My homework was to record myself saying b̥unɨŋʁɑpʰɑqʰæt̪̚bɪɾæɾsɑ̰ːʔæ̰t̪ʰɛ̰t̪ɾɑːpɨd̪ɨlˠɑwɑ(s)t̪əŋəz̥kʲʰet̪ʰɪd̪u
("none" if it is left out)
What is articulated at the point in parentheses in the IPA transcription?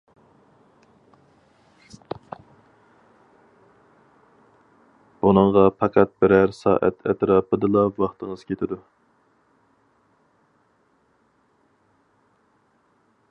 χ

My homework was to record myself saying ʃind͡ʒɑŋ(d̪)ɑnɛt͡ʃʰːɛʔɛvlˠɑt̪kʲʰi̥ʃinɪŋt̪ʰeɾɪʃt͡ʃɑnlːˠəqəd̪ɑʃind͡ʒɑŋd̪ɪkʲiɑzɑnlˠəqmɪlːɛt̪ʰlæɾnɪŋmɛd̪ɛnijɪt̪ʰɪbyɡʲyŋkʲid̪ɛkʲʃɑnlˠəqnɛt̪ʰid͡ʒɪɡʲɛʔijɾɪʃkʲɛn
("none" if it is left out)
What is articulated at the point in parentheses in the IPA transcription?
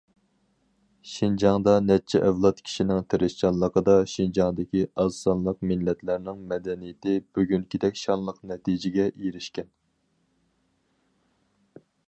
d̪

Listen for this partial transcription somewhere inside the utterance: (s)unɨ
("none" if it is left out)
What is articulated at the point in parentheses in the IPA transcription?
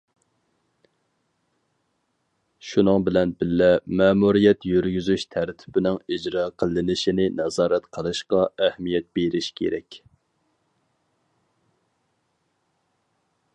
ʃ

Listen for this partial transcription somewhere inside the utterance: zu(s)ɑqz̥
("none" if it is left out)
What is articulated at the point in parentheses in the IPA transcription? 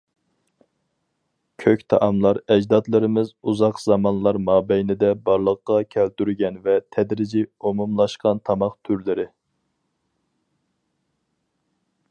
z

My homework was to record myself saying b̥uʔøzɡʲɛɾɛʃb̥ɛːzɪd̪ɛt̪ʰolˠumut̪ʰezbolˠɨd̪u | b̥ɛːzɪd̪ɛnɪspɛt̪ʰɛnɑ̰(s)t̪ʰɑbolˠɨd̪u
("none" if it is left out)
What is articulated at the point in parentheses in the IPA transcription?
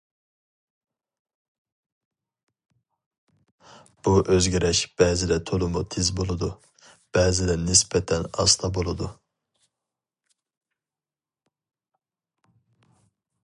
s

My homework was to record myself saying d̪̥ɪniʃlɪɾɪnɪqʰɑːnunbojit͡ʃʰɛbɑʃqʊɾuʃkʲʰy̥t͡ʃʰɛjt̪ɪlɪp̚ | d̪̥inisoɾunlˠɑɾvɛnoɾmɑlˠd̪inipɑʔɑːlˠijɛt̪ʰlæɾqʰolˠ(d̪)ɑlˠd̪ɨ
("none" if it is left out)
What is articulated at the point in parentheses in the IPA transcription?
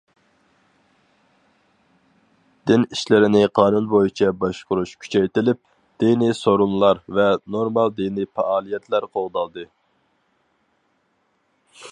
d̪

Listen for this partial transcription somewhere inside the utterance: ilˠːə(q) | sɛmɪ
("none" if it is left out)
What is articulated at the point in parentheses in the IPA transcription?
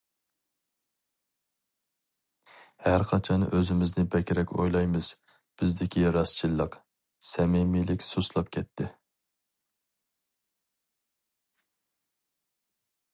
q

